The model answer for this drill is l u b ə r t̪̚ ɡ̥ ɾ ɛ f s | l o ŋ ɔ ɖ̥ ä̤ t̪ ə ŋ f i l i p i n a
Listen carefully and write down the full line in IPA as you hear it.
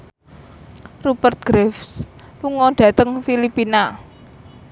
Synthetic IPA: r u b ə r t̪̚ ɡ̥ ɾ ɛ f s | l u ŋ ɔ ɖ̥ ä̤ t̪ ə ŋ f i l i p i n a